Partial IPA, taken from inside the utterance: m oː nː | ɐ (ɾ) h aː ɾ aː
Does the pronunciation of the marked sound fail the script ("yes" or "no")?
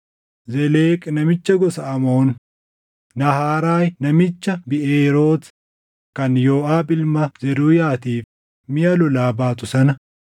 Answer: yes